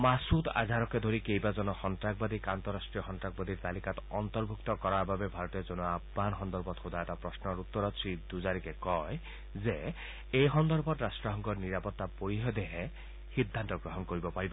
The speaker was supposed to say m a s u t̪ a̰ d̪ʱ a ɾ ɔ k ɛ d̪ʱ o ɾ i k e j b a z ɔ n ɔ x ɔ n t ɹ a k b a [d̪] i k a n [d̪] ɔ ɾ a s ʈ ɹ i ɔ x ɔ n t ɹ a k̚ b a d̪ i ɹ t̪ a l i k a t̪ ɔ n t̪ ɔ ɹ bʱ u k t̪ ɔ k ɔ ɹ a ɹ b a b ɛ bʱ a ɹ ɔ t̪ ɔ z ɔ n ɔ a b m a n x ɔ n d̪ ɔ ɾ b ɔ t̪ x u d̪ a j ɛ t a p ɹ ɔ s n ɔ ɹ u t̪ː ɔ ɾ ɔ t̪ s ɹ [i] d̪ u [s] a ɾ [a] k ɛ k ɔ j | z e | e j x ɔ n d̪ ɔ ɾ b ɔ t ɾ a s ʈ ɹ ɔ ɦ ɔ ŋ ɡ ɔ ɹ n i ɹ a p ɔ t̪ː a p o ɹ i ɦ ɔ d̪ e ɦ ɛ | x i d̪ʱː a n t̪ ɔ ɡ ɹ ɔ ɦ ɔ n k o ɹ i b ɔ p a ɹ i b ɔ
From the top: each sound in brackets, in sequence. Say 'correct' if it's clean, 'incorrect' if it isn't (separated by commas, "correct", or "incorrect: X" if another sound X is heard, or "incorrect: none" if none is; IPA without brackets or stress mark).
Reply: correct, incorrect: t̪, correct, incorrect: z, incorrect: i